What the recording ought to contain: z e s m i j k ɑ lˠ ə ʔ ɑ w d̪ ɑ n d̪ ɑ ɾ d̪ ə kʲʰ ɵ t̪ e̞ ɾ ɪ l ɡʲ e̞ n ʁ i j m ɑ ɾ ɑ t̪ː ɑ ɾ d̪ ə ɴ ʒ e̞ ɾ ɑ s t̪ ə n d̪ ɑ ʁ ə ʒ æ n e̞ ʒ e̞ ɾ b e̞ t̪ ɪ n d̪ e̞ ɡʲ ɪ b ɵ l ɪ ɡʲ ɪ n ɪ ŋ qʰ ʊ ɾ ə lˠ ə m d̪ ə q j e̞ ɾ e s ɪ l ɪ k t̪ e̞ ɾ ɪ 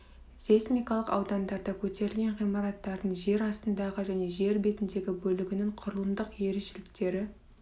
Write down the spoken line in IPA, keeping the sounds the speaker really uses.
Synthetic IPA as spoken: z e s m i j k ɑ lˠ ə q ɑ w d̪ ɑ n d̪ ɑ ɾ d̪ ɑ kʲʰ ɵ t̪ e̞ ɾ ɪ l ɡʲ e̞ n ʁ i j m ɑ ɾ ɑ t̪ː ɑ ɾ d̪ ə ɴ ʒ e̞ ɾ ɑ s t̪ ə n d̪ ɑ ʁ ə ʒ æ n e̞ ʒ e̞ ɾ b e̞ t̪ ɪ n d̪ e̞ ɡʲ ɪ b ɵ l ɪ ɡʲ ɪ n ɪ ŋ qʰ ʊ ɾ ə lˠ ə m d̪ ə q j e̞ ɾ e ʃ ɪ l ɪ k t̪ e̞ ɾ ɪ

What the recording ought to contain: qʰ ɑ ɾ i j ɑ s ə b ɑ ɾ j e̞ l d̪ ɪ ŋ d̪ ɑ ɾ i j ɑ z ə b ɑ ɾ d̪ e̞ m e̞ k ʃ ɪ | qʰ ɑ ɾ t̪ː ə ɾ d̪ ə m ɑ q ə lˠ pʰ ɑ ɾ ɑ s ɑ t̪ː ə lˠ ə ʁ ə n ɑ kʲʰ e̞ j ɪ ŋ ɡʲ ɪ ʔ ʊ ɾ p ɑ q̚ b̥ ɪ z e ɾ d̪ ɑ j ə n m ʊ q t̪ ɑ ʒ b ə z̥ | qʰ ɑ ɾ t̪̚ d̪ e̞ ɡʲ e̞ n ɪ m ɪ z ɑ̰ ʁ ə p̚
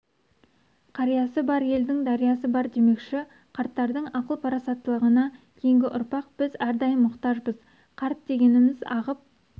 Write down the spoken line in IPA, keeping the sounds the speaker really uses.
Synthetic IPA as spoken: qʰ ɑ ɾ i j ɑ s ə b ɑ ɾ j e̞ l d̪ ɪ ŋ d̪ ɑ ɾ i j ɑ s ə b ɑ ɾ d̪ e̞ m e̞ k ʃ ɪ | qʰ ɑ ɾ t̪ː ɑ ɾ d̪ ə ɴ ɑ q ə lˠ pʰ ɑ ɾ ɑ s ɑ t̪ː ə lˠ ə ʁ ə n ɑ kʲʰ e̞ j ɪ ŋ ɡʲ ɪ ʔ ʊ ɾ p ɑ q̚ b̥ ɪ z æ ɾ d̪ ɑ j ə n m ʊ q t̪ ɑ ʒ b ə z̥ | qʰ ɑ ɾ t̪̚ d̪ e̞ ɡʲ e̞ n ɪ m ɪ z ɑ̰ ʁ ə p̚

